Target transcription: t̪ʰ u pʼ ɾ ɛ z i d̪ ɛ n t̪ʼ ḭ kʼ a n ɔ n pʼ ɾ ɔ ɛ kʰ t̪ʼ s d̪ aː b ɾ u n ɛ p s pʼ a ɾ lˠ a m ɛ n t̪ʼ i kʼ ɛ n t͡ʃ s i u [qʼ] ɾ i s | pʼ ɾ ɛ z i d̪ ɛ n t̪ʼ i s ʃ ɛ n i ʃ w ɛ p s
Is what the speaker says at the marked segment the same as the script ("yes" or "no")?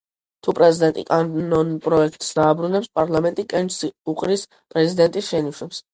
yes